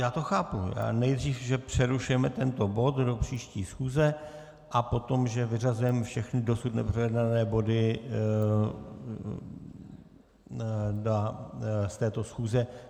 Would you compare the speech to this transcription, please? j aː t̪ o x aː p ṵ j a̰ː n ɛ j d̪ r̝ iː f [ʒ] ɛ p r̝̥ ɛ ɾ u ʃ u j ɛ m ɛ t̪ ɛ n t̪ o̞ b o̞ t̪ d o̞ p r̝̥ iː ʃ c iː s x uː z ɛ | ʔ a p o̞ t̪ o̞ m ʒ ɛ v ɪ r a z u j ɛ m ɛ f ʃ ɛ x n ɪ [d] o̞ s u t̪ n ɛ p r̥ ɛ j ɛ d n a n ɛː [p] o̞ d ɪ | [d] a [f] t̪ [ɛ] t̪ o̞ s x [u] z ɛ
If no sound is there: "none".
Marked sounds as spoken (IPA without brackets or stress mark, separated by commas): ʒ, d, b, d, s, ɛː, uː